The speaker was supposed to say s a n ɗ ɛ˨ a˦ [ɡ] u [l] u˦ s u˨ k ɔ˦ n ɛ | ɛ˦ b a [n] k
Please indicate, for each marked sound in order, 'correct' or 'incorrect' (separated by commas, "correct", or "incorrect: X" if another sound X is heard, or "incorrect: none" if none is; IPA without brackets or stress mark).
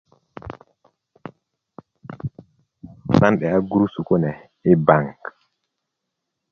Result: correct, incorrect: ɾ, incorrect: ŋ